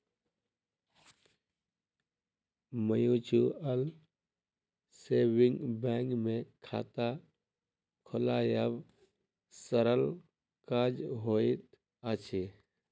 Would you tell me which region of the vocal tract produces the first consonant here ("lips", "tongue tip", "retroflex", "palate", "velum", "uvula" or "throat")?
lips